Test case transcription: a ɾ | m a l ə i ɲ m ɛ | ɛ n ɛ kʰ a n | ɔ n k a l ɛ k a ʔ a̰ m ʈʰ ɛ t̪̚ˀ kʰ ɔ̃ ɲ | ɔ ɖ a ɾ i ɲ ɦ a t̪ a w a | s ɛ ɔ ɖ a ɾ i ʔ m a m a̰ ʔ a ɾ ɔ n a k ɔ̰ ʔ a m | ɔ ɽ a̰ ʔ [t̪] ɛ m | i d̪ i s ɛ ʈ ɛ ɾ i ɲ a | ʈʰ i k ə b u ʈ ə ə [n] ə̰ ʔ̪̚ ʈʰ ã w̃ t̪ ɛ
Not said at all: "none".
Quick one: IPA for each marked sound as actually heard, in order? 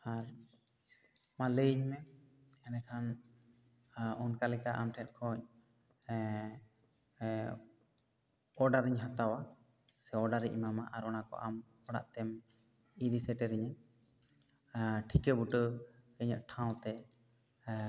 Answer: t̪, ɲ

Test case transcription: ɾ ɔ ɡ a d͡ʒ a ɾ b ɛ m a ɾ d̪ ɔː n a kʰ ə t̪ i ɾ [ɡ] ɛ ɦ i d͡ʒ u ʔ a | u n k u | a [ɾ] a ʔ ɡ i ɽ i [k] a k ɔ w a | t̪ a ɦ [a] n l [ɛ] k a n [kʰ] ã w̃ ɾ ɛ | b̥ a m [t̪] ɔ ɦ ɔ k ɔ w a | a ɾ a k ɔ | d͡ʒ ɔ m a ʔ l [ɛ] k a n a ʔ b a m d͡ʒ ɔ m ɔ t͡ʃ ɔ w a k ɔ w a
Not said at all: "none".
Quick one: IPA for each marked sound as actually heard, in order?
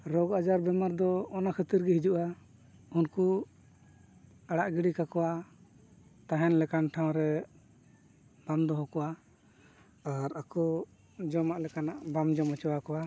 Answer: ɡ, ɽ, k, ɛ, ɛ, ʈʰ, d̪, ɛ

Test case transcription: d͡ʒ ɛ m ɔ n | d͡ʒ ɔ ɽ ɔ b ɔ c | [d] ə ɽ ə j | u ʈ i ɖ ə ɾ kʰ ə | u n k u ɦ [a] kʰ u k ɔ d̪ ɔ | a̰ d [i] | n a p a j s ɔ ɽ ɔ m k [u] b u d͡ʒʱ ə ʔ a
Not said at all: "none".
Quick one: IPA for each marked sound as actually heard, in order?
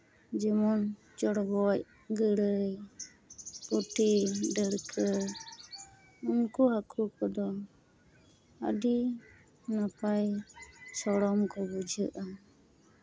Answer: ɡ, a, i, ɔ

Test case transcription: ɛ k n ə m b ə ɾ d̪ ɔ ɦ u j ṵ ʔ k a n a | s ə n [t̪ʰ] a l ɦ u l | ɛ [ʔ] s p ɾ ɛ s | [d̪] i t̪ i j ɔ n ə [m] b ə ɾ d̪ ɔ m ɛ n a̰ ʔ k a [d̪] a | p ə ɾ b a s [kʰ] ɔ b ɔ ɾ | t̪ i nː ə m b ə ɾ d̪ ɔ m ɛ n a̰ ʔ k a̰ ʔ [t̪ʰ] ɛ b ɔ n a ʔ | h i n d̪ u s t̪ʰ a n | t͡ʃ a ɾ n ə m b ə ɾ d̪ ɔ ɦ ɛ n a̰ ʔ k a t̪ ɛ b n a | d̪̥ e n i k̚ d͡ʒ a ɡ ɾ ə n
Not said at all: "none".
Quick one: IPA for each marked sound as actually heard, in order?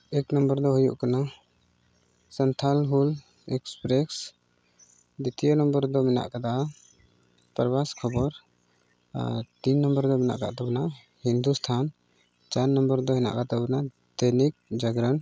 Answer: t̪ʰ, k, d̪, m, d̪, kʰ, t̪

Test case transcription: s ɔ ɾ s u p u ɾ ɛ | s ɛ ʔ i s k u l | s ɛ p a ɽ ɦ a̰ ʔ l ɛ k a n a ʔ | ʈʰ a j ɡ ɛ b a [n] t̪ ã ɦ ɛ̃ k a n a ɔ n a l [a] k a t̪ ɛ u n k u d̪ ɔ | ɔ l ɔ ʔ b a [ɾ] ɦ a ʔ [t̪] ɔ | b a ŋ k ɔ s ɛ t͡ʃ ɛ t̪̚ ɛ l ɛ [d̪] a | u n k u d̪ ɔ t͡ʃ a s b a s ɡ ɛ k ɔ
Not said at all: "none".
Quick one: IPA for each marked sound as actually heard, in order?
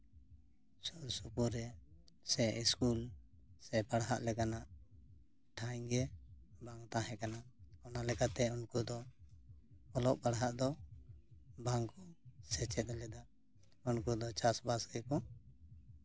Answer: ŋ, ɛ, ɽ, d̪, d̪

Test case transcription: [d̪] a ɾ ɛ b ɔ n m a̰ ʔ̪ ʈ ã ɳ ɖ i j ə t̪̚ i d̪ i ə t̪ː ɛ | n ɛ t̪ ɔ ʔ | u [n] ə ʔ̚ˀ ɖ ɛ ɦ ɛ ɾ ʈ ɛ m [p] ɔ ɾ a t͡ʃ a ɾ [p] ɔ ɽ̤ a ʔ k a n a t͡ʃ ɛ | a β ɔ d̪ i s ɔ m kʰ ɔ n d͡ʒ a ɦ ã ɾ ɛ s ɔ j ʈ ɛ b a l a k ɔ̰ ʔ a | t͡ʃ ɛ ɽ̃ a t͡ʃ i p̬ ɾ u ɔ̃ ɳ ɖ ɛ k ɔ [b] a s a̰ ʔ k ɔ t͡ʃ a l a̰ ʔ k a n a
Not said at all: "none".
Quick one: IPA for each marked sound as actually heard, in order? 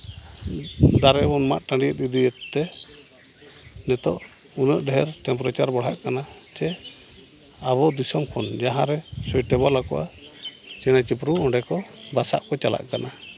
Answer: d̪, n, p, b, b

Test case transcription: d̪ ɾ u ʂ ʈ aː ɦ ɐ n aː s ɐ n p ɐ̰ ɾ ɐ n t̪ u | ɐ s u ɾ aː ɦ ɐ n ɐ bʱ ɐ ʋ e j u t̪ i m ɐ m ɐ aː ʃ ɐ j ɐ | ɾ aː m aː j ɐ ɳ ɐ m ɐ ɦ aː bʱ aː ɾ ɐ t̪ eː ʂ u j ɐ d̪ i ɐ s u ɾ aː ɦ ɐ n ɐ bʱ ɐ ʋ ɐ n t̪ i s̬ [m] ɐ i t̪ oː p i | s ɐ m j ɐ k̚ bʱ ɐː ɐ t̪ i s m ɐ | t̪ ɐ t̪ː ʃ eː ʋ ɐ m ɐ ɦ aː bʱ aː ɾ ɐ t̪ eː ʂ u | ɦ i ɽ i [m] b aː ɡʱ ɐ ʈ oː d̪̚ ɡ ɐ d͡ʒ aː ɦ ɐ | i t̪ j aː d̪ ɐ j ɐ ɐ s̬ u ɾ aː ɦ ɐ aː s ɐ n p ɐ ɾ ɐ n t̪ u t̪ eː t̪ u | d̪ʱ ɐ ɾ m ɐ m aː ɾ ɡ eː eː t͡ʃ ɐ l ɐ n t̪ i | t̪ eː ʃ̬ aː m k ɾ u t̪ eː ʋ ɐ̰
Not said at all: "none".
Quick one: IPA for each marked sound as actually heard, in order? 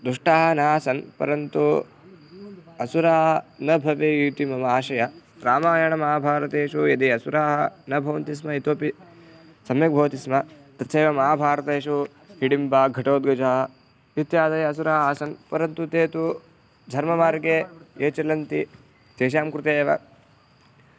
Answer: m, m

